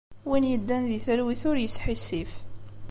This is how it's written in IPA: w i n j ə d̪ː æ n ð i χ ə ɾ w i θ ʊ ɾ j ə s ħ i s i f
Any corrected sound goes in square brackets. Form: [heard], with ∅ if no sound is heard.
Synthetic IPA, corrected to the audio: w i n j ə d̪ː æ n ð i [θ] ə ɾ w i θ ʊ ɾ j ə s ħ i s i f